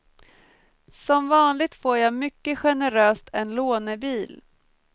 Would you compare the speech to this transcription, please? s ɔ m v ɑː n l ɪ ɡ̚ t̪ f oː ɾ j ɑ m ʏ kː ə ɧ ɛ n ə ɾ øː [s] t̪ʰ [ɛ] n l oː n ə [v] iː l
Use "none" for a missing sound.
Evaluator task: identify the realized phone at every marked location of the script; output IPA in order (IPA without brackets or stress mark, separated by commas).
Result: s, ɛ, b